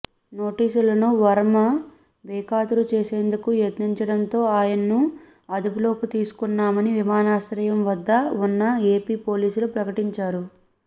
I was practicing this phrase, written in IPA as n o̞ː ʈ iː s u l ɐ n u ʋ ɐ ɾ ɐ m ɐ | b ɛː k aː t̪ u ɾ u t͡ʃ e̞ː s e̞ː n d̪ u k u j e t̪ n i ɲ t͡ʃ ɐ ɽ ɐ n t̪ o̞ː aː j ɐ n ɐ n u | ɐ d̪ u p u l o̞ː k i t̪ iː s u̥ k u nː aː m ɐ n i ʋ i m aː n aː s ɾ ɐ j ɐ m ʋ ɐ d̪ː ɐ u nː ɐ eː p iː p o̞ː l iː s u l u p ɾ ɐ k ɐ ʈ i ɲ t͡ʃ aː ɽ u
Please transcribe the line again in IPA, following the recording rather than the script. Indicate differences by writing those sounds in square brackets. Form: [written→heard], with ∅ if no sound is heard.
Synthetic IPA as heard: n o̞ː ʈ iː s u l ɐ n u ʋ ɐ ɾ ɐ m ɐ | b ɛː k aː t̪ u ɾ u t͡ʃ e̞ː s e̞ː n d̪ u k u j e t̪ n i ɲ t͡ʃ ɐ ɽ ɐ n t̪ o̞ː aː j ɐ n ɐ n u | ɐ d̪ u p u l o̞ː k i t̪ iː s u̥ k u nː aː m ɐ n i ʋ i m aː n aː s ɾ ɐ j ɐ m ʋ ɐ d̪ː ɐ u nː ɐ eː p iː p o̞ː l iː s u l u p ɾ ɐ k ɐ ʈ i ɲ t͡ʃ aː [ɽ→ɾ] u